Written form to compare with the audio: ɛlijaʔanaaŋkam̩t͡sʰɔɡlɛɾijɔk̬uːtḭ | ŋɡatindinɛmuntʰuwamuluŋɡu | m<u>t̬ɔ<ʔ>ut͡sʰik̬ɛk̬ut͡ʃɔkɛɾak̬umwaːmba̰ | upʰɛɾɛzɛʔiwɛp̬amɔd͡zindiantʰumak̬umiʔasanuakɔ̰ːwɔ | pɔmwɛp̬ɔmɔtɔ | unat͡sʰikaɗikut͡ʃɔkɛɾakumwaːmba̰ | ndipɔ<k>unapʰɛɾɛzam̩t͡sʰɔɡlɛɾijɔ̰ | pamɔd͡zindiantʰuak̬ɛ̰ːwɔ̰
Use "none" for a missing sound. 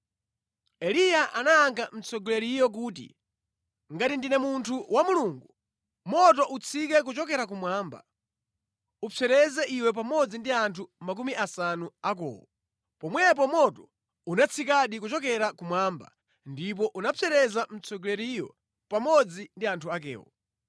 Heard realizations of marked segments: ɔ, ʔ, ʔ

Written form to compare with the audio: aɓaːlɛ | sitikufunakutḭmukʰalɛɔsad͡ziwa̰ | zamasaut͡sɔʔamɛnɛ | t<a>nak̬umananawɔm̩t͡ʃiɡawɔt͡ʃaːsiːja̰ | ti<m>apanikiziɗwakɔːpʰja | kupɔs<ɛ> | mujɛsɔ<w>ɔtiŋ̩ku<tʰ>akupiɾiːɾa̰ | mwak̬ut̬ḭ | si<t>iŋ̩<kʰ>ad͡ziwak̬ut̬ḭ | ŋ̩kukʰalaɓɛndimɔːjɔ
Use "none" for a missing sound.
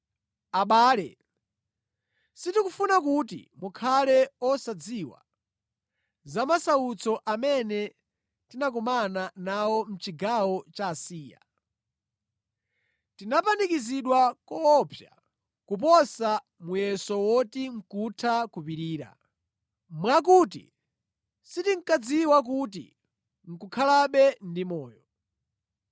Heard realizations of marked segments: i, n, a, w, tʰ, t, k

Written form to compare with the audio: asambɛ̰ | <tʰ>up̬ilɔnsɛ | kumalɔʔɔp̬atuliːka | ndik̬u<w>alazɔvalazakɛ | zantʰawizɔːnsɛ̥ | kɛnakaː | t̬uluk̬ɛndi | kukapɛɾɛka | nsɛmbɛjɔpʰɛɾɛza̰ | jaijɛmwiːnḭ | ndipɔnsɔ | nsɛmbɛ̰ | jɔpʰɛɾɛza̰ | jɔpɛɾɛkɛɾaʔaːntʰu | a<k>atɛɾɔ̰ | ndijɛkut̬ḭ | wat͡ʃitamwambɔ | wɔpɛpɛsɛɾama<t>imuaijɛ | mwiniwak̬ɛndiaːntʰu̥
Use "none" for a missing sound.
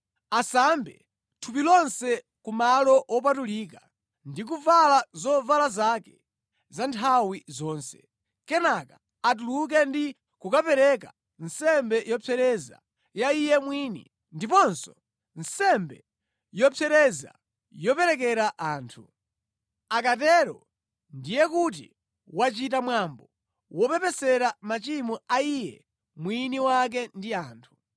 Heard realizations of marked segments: tʰ, v, k, t͡ʃ

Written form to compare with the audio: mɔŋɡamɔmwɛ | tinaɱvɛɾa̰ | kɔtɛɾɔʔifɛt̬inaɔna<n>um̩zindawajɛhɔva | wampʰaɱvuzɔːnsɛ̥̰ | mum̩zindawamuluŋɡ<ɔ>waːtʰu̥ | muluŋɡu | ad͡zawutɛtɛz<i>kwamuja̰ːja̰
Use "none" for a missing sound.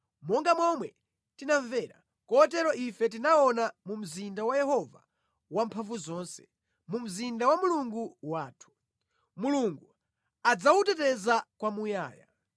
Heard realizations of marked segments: m, u, a

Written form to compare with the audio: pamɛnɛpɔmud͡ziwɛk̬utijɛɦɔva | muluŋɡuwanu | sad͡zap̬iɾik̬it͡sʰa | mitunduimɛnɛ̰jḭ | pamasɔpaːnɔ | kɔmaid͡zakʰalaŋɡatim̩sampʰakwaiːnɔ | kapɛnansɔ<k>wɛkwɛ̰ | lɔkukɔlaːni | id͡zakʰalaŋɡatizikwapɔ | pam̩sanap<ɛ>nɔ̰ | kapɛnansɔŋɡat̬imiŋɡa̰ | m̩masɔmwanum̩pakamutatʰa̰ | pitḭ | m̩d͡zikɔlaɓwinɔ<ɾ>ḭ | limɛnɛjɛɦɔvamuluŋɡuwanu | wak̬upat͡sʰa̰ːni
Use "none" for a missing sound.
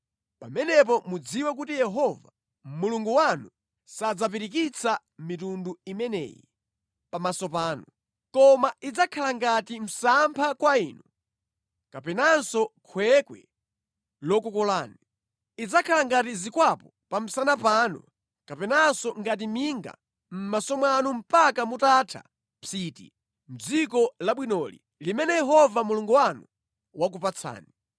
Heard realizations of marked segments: kʰ, a, l

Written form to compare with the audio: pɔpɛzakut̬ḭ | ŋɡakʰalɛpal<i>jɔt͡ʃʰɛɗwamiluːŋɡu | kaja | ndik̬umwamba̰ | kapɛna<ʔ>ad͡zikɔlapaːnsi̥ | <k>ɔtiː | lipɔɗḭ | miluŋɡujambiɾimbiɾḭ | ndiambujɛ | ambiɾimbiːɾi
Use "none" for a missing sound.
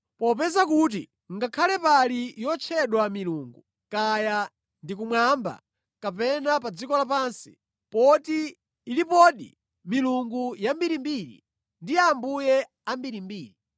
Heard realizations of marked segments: i, p, p

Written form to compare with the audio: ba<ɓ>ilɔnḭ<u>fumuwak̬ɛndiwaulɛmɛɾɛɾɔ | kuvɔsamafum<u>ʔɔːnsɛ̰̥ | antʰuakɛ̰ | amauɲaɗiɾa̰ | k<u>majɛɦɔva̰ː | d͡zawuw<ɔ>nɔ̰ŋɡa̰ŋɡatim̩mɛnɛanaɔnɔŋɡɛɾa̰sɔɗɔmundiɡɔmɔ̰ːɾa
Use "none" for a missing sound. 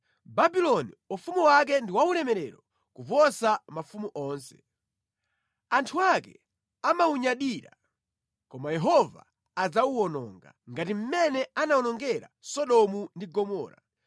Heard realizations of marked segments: b, u, u, ɔ, ɔ

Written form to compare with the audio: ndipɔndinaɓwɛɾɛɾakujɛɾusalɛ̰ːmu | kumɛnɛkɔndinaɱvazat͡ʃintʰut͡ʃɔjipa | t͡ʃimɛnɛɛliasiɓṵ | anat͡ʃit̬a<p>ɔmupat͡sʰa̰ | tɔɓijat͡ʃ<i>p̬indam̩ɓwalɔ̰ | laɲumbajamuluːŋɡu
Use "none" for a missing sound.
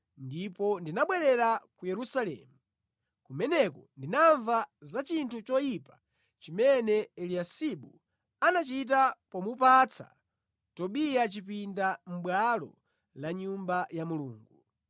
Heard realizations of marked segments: p, i

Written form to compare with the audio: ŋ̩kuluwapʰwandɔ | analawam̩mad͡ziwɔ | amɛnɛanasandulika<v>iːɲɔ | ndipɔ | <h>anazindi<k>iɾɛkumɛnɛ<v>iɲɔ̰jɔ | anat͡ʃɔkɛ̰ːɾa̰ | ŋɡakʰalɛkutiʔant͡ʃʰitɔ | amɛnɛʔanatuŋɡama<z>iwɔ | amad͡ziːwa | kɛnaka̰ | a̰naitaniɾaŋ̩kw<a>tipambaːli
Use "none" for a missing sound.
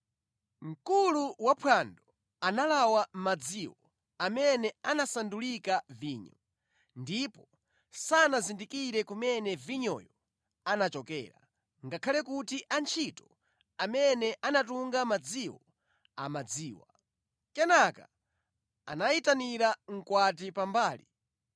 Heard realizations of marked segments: v, s, k, v, d͡z, a

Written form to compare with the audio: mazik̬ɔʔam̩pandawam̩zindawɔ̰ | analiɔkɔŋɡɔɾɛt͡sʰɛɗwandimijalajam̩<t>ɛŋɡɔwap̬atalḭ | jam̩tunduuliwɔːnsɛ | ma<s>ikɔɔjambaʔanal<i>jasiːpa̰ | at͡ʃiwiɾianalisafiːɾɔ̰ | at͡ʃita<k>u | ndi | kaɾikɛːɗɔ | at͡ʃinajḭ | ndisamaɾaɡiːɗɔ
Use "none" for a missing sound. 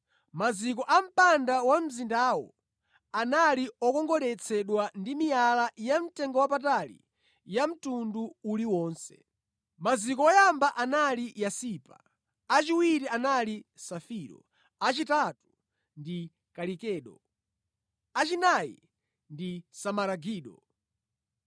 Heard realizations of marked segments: t, z, i, t

